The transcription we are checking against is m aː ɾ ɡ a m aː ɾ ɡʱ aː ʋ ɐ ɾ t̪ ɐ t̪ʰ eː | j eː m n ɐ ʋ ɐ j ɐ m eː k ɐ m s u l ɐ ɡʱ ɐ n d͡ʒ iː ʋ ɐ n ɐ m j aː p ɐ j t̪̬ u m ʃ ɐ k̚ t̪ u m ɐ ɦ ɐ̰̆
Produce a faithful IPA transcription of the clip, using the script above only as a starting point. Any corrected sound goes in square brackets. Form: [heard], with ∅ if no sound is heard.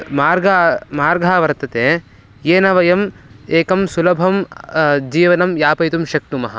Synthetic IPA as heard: m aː ɾ ɡ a m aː ɾ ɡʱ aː ʋ ɐ ɾ t̪ ɐ [t̪] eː | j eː [∅] n ɐ ʋ ɐ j ɐ m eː k ɐ m s u l ɐ [bʱ] ɐ [m] d͡ʒ iː ʋ ɐ n ɐ m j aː p ɐ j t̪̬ u m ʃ ɐ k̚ t̪ u m ɐ ɦ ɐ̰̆